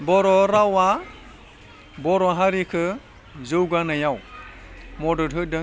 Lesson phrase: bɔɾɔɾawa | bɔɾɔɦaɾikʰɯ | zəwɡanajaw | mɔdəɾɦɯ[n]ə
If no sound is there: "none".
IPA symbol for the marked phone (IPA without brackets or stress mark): d